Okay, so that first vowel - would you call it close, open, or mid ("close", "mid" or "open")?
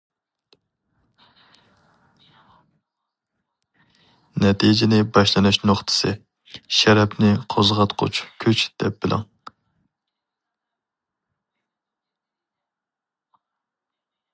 mid